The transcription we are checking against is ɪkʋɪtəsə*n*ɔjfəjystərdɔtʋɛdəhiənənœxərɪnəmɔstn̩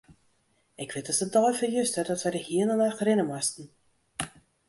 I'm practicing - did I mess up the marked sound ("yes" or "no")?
yes